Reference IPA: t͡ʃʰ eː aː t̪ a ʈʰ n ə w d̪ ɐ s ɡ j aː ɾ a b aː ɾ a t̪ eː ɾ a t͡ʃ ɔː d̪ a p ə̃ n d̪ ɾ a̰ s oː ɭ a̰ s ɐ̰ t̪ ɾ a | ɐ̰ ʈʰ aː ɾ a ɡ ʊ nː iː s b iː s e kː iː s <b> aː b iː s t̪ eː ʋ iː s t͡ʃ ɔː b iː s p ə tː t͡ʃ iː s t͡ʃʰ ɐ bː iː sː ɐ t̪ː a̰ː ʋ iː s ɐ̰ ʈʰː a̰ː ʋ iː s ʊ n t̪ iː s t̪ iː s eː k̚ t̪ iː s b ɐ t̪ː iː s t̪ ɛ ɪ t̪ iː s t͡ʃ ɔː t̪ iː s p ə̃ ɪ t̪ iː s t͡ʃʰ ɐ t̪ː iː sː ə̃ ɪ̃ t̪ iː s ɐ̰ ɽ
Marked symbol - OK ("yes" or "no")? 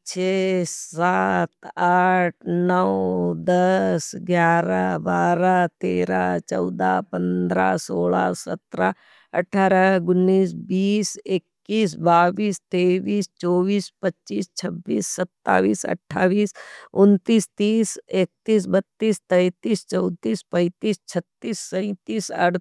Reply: yes